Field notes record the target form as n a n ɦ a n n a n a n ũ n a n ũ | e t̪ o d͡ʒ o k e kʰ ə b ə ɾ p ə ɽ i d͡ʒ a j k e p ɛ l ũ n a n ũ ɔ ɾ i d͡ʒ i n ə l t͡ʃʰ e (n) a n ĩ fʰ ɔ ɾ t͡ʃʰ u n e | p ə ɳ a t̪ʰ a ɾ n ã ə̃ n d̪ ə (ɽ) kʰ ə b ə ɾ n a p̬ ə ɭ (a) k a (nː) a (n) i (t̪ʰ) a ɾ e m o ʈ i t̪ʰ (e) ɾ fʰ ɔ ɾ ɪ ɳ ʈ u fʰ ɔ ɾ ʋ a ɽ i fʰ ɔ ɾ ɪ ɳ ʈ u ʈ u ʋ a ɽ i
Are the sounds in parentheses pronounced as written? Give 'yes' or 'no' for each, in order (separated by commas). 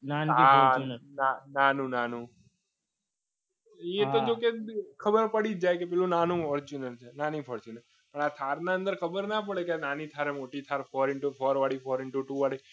yes, no, no, no, yes, yes, no